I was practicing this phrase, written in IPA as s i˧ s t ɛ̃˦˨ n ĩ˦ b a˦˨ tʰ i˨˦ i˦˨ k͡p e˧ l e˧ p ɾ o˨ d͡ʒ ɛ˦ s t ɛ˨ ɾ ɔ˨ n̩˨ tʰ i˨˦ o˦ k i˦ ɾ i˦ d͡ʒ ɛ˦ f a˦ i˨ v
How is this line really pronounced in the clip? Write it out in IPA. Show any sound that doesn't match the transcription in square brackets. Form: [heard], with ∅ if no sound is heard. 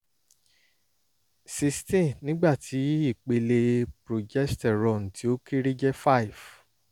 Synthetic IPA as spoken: s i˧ s t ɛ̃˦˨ n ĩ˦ [ɡ͡b] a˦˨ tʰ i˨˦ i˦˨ k͡p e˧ l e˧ p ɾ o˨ d͡ʒ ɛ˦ s t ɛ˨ ɾ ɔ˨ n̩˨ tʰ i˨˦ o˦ k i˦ ɾ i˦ d͡ʒ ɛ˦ f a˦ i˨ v

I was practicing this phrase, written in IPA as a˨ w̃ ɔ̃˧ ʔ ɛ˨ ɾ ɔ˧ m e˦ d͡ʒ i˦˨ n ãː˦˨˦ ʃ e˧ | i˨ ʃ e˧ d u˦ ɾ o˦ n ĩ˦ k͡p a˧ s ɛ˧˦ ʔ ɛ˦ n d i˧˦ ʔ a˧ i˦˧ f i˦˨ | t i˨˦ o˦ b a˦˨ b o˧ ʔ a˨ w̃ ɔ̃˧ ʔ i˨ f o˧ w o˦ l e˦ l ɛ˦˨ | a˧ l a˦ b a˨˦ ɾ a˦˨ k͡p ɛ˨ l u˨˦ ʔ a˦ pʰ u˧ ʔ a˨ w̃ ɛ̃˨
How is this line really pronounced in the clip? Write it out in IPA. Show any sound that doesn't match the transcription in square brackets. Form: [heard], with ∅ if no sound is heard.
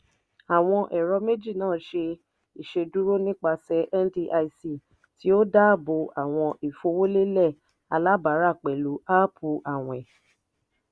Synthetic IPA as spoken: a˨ w̃ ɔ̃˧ ʔ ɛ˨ ɾ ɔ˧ m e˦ d͡ʒ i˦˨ n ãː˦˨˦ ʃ e˧ | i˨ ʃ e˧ d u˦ ɾ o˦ n ĩ˦ k͡p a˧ s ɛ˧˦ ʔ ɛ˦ n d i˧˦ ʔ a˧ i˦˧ [s] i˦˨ | t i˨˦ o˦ [d] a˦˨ b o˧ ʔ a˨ w̃ ɔ̃˧ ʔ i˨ f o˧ w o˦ l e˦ l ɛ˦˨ | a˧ l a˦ b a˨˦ ɾ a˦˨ k͡p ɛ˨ l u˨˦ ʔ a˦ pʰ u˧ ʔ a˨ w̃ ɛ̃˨

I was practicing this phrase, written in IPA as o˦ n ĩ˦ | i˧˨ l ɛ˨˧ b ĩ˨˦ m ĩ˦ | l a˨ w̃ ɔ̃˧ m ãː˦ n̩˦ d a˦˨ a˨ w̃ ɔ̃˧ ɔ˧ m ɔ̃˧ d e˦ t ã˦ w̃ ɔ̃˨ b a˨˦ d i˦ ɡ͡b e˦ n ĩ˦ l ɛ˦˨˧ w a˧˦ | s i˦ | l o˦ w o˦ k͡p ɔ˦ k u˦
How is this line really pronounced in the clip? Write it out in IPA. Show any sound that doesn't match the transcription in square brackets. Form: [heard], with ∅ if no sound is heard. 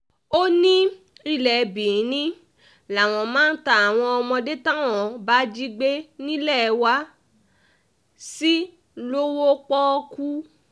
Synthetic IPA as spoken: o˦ n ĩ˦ | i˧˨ l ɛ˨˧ b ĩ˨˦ [n] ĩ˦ | l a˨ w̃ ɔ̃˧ m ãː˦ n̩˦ [t] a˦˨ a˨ w̃ ɔ̃˧ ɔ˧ m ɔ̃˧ d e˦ t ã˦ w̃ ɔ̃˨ b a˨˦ [d͡ʒ] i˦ ɡ͡b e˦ n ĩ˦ l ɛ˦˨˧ w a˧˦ | s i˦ | l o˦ w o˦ k͡p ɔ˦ k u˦

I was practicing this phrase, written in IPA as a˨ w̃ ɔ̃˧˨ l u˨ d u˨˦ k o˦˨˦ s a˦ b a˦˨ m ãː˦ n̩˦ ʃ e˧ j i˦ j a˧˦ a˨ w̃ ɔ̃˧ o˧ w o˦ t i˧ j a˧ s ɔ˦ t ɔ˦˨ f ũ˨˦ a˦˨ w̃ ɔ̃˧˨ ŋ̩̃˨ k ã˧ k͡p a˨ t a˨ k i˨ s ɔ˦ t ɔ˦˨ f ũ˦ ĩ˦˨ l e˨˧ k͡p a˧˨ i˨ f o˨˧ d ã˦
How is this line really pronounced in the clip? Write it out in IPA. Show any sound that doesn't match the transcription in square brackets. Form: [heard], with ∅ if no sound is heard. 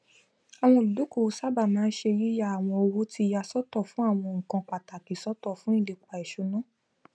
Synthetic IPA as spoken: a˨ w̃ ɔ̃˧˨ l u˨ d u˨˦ k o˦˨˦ s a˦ b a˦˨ m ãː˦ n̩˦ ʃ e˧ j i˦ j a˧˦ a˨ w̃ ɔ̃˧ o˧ w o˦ t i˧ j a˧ s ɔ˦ t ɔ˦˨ f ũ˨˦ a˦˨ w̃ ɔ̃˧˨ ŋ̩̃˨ k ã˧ k͡p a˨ t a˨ k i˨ s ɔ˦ t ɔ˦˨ f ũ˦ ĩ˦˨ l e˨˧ k͡p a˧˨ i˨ [ʃ] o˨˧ [n] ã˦

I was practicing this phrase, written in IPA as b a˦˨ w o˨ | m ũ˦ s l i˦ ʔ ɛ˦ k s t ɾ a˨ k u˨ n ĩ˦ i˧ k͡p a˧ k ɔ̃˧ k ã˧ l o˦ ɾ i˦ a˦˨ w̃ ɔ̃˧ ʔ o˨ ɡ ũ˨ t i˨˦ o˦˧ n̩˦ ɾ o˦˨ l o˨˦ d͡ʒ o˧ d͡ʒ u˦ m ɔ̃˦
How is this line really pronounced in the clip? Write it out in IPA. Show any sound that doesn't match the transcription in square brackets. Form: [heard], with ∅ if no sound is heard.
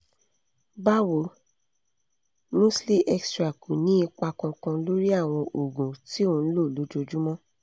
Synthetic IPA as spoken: b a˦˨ w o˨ | m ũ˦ s l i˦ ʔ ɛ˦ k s t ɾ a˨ k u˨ n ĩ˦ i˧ k͡p a˧ k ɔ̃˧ k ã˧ l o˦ ɾ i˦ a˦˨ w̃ ɔ̃˧ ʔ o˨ ɡ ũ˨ t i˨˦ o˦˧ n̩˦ [l] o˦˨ l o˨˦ d͡ʒ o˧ d͡ʒ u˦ m ɔ̃˦

